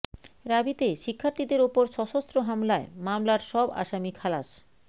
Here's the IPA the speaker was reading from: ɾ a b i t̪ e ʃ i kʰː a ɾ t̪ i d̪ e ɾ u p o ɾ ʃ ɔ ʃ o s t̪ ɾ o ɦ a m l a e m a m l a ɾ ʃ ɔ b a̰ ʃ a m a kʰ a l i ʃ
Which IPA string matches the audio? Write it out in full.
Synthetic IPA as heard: ɾ a b i t̪ e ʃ i kʰː a ɾ t̪ i d̪ e ɾ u p o ɾ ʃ ɔ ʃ o s t̪ ɾ o ɦ a m l a e m a m l a ɾ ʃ ɔ b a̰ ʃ a m i kʰ a l a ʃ